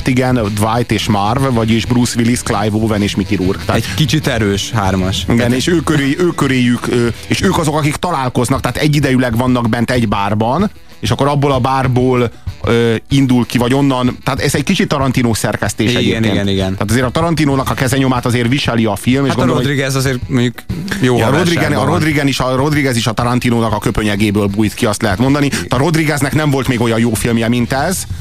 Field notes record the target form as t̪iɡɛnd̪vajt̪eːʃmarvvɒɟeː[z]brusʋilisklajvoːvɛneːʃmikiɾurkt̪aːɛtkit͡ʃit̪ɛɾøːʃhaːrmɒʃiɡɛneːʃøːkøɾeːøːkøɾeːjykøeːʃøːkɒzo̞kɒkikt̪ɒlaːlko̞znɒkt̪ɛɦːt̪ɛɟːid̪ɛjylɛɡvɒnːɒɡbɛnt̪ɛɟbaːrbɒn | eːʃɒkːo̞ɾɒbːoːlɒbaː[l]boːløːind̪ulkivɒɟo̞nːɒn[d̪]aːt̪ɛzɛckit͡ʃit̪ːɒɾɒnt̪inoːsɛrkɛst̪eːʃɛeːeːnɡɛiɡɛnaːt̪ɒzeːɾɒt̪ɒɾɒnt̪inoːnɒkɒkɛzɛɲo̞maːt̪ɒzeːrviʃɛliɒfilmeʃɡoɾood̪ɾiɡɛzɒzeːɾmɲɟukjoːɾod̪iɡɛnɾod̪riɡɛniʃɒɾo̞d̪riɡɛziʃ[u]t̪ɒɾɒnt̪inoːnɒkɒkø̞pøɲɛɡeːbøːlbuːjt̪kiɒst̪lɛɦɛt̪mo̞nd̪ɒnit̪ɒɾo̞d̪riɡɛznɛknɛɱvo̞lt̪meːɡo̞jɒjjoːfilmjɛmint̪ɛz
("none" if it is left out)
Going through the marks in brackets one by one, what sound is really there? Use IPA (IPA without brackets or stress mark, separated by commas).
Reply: ʒ, r, t̪, ɒ